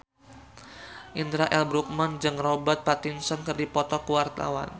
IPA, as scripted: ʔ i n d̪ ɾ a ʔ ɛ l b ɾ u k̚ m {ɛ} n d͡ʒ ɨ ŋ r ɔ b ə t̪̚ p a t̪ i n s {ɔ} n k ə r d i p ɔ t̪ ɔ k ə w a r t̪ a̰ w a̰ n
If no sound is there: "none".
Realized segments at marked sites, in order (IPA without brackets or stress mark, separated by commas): a, ɔ